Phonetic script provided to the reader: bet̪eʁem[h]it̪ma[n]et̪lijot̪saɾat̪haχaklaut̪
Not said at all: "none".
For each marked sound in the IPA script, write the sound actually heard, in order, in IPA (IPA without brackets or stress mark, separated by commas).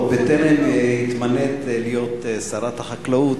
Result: h, n